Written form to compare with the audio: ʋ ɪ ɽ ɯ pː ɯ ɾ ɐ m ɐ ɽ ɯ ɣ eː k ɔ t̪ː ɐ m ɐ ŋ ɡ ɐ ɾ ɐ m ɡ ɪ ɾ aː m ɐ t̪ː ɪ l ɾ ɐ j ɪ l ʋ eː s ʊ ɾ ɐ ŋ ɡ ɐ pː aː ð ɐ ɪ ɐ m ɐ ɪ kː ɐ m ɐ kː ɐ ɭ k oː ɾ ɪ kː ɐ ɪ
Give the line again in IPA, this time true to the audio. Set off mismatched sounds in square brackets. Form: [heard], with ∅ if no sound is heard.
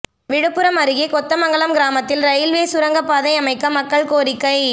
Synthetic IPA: ʋ ɪ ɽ ɯ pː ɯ ɾ ɐ m ɐ [ɾ] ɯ ɣ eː k ɔ t̪ː ɐ m ɐ ŋ ɡ ɐ [ɭ] ɐ m ɡ ɪ ɾ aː m ɐ t̪ː ɪ l ɾ ɐ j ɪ l ʋ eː s ʊ ɾ ɐ ŋ ɡ ɐ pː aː ð ɐ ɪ ɐ m ɐ ɪ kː ɐ m ɐ kː ɐ ɭ k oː ɾ ɪ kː ɐ ɪ